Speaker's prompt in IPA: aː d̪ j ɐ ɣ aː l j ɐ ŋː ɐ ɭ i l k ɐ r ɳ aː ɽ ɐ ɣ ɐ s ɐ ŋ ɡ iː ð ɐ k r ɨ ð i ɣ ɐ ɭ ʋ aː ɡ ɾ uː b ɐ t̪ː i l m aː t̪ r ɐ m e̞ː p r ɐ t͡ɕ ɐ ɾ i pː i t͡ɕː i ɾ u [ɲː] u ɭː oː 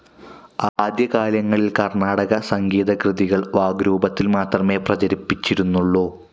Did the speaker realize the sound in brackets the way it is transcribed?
no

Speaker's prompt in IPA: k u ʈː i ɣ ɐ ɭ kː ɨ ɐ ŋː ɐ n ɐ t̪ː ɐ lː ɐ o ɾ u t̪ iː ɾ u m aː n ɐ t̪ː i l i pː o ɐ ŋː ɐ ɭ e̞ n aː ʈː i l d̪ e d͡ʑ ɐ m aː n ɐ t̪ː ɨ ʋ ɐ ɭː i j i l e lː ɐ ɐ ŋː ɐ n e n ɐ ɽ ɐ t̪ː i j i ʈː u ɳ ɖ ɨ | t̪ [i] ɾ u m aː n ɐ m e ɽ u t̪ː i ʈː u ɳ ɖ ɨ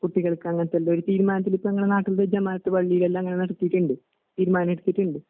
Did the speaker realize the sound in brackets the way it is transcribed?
no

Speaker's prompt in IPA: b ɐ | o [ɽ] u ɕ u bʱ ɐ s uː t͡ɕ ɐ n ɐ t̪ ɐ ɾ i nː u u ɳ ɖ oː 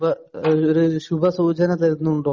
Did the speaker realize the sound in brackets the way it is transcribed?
no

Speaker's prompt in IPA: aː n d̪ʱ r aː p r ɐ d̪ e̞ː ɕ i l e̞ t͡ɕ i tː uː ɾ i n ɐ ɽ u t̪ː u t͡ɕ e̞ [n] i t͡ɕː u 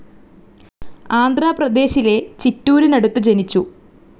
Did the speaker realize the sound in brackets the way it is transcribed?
yes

